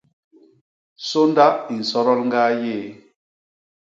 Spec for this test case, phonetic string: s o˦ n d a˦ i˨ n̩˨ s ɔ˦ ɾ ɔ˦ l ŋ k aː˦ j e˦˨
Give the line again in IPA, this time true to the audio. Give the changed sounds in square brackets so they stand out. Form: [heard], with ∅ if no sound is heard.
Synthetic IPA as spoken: s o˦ n d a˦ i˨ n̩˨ s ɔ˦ ɾ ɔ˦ l ŋ [ɡ] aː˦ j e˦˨

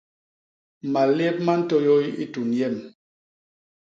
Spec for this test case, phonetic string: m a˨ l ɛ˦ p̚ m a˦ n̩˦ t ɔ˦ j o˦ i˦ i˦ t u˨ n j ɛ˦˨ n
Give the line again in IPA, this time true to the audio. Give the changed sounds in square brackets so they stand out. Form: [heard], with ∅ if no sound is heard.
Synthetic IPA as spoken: m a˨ l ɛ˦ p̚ m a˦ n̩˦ t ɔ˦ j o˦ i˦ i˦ t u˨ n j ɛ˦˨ [m]

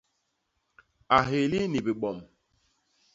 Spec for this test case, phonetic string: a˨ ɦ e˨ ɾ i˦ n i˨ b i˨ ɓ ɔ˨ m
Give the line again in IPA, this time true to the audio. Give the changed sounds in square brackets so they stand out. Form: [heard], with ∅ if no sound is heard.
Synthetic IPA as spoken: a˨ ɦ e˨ [l] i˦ n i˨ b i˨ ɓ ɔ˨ m

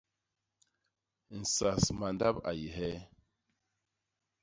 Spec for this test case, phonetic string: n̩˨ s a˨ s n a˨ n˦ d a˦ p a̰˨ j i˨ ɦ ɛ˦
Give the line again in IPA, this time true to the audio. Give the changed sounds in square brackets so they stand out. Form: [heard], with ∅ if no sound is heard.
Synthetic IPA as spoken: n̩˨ s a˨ s [m] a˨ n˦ d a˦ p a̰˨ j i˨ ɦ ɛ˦

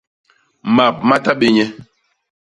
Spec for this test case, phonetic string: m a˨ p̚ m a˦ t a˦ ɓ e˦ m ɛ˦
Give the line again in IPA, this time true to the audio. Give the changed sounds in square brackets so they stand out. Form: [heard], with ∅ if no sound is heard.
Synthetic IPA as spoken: m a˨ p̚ m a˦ t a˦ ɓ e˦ [ɲ] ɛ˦

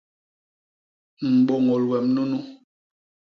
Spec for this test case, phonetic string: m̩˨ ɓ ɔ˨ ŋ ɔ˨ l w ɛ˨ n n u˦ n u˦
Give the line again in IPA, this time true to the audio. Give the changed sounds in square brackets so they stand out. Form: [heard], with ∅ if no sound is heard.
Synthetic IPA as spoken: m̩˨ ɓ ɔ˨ ŋ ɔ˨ l w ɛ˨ [m] n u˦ n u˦

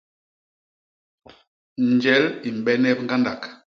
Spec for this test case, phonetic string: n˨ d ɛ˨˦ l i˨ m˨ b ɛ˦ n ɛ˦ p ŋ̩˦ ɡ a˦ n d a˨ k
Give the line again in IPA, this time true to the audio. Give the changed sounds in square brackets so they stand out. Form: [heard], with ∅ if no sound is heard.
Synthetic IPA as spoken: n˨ [d͡ʒ] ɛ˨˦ l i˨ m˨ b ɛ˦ n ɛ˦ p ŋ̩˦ ɡ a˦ n d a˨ k

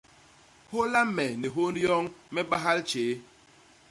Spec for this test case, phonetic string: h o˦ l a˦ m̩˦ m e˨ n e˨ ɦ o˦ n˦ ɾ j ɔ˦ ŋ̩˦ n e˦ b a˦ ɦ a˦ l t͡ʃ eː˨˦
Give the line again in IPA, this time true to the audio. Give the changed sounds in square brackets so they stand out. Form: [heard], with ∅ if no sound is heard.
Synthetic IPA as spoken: h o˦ l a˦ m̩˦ m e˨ n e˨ ɦ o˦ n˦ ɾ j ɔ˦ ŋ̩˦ [m] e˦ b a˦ ɦ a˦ l t͡ʃ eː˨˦

